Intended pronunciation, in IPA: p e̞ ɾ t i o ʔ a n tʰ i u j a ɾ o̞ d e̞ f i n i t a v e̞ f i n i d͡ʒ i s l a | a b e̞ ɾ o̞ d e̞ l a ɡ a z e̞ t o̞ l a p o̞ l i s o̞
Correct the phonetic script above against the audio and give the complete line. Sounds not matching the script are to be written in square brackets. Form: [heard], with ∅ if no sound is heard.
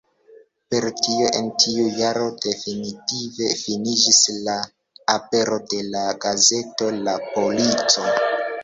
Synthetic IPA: p e̞ ɾ t i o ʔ [e] n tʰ i u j a ɾ o̞ d e̞ f i n i t [i] v e̞ f i n i d͡ʒ i s l a | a [p] e̞ ɾ o̞ d e̞ l a ɡ a z e̞ t o̞ l a p o̞ l i [t͡s] o̞